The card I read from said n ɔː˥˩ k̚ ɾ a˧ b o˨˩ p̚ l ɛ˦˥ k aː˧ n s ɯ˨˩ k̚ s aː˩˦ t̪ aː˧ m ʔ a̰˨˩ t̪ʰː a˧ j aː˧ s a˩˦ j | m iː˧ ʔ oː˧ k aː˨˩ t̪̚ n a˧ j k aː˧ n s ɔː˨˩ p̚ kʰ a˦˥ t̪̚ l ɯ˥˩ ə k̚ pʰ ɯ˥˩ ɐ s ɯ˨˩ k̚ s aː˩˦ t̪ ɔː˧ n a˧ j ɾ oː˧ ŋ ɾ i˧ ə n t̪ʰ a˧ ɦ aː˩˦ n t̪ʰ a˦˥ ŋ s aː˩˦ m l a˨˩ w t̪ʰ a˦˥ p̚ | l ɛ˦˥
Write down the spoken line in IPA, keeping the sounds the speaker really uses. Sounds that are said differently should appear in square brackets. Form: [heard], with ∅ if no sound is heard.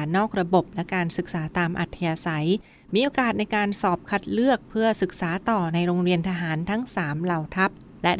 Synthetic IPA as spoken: n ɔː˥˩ k̚ ɾ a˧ b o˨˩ p̚ l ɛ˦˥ k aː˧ n s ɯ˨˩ k̚ s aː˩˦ t̪ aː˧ m ʔ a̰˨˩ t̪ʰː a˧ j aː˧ s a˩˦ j | m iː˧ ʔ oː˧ k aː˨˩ t̪̚ n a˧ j k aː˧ n s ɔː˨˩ p̚ kʰ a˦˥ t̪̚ l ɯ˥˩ ə k̚ pʰ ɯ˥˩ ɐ s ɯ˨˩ k̚ s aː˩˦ t̪ [ɔː˨˩] n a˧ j ɾ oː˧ ŋ ɾ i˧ ə n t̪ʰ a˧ ɦ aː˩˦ n t̪ʰ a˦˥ ŋ s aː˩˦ m l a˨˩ w t̪ʰ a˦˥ p̚ | l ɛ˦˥